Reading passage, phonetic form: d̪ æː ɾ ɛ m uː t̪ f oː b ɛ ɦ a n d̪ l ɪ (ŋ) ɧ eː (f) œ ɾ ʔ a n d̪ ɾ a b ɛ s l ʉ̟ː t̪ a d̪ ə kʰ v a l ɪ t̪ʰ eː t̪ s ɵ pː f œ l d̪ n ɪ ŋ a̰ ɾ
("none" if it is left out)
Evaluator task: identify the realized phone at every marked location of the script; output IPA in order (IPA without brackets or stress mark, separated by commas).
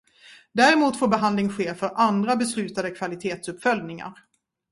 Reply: ŋ, f